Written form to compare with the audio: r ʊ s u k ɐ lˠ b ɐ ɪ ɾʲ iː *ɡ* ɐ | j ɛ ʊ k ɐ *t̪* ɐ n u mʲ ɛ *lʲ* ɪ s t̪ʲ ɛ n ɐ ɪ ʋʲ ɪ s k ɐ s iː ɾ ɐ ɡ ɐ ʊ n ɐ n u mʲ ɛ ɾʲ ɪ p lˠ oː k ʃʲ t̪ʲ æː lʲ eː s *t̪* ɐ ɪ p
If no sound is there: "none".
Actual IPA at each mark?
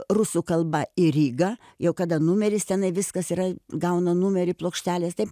ɡ, d̪, ɾʲ, t̪

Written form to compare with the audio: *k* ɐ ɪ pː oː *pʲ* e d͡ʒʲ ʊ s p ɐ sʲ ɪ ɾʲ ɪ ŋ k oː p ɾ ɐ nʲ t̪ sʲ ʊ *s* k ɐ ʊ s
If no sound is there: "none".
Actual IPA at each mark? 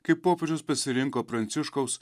k, pʲ, ʃ

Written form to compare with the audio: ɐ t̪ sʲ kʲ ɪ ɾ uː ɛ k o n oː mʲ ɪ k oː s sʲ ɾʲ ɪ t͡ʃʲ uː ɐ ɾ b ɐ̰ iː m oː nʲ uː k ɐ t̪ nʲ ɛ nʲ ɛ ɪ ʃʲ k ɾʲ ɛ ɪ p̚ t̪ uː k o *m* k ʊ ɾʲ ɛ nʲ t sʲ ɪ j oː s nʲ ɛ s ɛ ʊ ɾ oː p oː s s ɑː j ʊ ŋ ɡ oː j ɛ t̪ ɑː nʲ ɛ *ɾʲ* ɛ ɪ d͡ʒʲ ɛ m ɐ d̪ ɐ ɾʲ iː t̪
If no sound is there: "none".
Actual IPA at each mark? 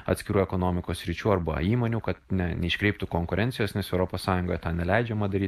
ŋ, lʲ

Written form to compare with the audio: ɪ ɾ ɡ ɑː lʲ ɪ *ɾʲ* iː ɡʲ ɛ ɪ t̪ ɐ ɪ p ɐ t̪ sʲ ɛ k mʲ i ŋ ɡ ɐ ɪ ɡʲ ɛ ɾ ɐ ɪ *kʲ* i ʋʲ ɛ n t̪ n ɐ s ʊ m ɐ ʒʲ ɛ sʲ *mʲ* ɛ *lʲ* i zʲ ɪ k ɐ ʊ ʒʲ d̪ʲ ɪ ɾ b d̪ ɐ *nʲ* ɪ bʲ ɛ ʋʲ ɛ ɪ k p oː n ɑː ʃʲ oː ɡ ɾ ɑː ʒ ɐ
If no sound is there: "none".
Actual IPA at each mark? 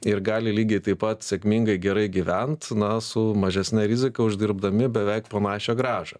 lʲ, ɡʲ, nʲ, ɾʲ, mʲ

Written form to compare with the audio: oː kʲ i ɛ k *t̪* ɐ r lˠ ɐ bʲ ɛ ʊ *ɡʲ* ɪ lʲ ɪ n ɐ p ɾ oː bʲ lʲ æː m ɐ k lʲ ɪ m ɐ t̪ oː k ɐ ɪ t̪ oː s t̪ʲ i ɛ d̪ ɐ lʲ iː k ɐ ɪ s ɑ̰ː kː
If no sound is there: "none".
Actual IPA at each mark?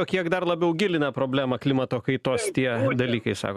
d̪, ɡʲ

